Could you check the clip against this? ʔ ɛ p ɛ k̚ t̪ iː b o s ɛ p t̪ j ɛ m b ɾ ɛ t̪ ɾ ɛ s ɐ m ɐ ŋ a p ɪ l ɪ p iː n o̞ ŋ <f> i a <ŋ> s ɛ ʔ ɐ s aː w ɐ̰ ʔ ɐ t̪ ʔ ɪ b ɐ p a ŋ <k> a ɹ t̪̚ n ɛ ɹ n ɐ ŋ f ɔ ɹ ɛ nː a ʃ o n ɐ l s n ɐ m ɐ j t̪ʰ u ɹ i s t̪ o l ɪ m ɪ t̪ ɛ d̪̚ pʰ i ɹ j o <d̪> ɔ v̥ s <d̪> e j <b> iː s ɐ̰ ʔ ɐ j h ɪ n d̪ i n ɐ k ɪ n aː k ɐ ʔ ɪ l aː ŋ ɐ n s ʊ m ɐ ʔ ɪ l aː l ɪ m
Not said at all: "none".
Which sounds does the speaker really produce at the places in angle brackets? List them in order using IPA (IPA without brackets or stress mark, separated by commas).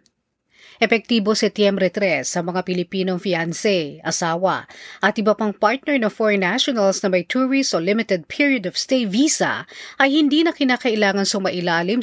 f, n, p, d̪, t̪, v